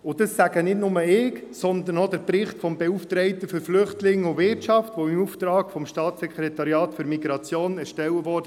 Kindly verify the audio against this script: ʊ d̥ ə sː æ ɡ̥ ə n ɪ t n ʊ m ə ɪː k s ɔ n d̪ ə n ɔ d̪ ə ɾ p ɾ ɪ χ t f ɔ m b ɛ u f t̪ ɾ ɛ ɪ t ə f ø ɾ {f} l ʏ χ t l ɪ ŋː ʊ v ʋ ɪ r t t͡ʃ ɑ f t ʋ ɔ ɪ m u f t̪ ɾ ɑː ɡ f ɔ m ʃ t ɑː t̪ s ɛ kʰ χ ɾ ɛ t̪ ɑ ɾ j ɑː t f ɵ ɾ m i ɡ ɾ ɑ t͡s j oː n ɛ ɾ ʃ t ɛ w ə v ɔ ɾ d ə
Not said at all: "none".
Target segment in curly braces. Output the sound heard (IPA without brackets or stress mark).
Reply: f